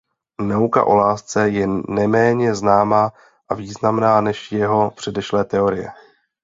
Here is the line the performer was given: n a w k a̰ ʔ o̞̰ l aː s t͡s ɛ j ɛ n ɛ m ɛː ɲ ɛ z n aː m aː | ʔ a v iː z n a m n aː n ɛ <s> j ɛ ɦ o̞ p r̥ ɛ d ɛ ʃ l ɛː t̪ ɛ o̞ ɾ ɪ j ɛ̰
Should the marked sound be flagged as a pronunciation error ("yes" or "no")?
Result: yes